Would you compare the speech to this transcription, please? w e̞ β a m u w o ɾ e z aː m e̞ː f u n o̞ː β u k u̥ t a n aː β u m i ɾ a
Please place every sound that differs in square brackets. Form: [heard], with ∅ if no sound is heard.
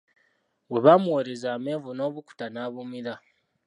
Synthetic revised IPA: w e̞ β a m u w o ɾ e z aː m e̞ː [v] u n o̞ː β u k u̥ t a n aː β u m i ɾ a